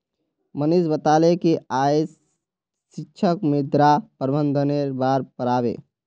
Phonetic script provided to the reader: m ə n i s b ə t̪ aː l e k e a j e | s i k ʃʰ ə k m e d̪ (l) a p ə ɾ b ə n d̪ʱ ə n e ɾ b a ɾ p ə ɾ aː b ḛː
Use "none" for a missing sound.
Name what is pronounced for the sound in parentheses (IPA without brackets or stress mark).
ɾ